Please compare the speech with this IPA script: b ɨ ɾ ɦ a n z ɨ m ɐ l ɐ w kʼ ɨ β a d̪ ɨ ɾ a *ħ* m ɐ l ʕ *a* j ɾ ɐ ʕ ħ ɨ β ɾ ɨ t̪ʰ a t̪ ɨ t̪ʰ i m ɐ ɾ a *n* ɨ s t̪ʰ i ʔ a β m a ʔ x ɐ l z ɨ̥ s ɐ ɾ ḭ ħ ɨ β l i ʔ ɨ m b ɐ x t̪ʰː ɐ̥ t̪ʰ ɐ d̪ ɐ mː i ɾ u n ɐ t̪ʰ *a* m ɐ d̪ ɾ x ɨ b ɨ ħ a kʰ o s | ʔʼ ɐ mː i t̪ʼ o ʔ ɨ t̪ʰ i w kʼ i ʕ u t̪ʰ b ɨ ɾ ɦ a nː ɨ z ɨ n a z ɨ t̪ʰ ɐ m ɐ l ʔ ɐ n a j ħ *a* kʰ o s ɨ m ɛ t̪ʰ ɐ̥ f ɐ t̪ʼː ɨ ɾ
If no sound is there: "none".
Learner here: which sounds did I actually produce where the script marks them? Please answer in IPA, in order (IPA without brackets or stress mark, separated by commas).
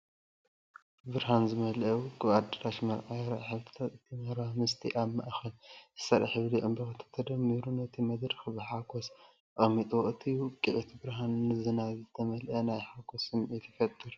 ʃ, a, m, i, a